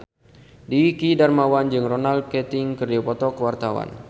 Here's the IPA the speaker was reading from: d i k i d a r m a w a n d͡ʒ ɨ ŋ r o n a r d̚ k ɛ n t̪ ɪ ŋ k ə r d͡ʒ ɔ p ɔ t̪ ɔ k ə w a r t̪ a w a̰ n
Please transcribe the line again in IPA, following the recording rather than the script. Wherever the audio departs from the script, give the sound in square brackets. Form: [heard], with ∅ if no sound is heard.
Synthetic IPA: d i k i d a r m a w a n d͡ʒ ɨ ŋ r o n a [l] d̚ k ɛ [∅] t̪ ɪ ŋ k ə r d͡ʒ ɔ p ɔ t̪ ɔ k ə w a r t̪ a w a̰ n